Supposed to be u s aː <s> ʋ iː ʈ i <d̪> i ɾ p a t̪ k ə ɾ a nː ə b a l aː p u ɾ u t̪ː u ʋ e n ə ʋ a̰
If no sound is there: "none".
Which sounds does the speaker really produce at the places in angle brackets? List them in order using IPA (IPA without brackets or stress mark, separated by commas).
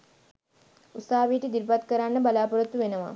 none, d̪